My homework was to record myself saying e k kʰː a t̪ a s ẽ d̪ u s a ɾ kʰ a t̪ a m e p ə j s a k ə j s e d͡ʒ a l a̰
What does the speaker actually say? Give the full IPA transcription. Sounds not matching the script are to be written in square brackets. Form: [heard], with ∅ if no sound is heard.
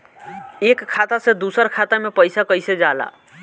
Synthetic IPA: e k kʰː a t̪ a s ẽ d̪ u s [ə] ɾ kʰ a t̪ a m e p ə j s a k ə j s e d͡ʒ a l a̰